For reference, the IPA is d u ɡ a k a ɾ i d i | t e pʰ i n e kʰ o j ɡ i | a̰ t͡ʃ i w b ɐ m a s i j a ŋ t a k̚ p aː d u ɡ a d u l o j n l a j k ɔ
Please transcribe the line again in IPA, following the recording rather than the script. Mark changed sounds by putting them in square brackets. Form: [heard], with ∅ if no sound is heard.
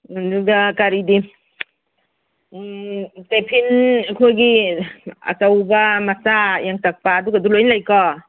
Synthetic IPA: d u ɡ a k a ɾ i d i | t e pʰ i n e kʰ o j ɡ i | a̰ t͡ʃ [a] w b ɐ m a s [a] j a ŋ t a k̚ p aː d u ɡ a d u l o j n l a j k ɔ